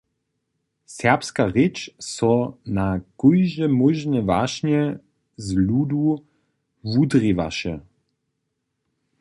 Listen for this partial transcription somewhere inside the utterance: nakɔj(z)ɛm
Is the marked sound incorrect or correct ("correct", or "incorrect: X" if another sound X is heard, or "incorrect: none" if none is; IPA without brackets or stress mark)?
incorrect: ʒ